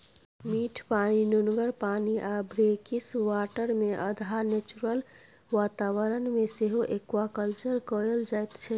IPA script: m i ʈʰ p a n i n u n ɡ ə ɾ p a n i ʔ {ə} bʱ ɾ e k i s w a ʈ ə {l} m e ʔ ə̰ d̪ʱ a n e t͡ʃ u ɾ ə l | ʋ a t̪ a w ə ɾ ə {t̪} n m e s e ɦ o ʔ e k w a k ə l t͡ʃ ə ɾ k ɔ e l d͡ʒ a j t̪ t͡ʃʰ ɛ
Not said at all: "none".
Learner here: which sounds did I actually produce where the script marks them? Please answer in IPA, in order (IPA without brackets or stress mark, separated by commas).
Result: a, ɾ, none